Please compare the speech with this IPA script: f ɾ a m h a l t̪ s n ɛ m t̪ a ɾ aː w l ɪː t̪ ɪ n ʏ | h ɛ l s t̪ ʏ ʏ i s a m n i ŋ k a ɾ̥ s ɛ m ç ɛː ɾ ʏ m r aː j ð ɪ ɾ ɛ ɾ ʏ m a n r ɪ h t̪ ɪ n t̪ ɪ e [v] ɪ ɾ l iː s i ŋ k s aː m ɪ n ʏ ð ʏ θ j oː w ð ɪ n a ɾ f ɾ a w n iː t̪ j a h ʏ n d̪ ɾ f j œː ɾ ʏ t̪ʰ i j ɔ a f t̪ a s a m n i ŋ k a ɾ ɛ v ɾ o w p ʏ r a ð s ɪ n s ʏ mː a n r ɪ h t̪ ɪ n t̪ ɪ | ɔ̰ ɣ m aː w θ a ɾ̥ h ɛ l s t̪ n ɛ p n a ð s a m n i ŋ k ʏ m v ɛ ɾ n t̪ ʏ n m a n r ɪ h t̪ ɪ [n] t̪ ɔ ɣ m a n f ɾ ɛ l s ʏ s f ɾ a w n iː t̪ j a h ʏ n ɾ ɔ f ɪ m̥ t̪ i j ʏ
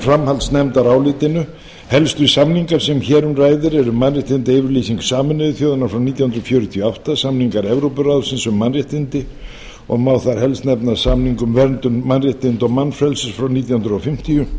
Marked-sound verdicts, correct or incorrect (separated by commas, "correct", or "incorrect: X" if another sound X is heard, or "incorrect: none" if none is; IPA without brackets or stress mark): correct, correct